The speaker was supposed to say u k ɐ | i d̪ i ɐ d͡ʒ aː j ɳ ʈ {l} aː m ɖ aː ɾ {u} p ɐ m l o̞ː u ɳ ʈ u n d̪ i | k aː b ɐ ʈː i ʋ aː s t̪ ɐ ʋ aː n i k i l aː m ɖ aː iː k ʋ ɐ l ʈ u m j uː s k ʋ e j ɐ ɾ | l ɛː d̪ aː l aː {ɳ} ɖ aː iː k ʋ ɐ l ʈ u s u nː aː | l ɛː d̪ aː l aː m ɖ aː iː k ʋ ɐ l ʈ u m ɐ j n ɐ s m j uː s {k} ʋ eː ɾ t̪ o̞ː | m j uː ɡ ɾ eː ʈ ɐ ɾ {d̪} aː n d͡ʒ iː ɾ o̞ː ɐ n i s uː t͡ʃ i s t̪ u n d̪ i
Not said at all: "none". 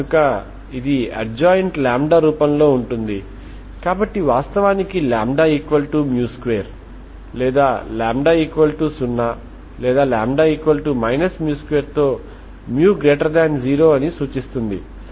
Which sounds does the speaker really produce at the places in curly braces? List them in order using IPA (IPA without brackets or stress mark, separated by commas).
l, uː, m, k, d̪